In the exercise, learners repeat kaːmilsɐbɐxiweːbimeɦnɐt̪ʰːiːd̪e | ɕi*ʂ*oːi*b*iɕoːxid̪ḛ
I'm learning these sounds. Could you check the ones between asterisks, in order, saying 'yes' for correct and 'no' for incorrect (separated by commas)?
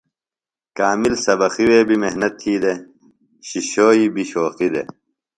no, yes